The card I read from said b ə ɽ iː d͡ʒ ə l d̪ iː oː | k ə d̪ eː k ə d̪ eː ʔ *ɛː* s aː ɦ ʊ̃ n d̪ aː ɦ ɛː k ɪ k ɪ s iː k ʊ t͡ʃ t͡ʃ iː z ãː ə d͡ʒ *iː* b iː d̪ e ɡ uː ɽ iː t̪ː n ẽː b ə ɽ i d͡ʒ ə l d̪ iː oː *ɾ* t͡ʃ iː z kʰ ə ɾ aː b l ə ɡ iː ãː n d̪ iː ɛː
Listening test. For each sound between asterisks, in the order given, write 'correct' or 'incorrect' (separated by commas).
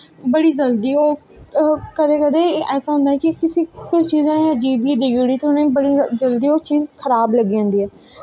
correct, correct, incorrect